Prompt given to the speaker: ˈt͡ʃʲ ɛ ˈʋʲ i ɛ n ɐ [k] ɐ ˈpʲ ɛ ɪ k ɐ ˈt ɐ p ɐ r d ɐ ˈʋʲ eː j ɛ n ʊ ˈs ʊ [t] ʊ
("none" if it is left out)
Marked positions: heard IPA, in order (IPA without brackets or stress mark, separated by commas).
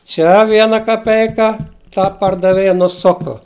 k, k